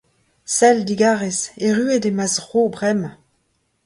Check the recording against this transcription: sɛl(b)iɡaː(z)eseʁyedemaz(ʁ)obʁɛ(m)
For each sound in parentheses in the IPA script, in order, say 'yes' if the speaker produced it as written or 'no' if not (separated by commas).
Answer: no, no, yes, yes